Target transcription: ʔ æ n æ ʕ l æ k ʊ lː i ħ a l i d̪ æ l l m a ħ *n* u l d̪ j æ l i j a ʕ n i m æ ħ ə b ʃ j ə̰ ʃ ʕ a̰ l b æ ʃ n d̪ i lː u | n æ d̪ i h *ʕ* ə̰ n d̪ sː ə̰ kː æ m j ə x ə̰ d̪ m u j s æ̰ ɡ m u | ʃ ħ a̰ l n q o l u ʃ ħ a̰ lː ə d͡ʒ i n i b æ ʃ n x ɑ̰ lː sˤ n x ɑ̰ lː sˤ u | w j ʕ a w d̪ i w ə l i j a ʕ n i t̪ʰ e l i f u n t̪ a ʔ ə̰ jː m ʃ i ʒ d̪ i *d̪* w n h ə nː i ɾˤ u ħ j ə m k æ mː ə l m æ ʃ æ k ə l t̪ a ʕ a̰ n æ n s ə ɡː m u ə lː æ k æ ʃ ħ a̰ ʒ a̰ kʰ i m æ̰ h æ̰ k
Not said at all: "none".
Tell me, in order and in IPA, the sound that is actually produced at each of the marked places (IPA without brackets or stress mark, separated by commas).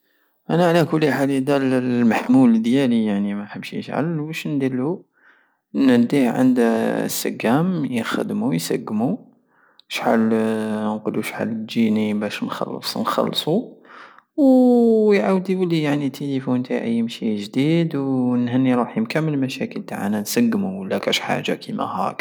m, ʕ, d̪